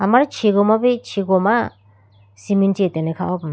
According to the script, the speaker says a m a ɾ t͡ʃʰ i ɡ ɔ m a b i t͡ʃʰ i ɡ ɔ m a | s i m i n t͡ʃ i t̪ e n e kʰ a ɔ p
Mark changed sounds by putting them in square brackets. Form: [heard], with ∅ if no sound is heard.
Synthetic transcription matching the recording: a m a ɾ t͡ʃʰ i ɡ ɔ m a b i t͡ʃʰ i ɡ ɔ m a | s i m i n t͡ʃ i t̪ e n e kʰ a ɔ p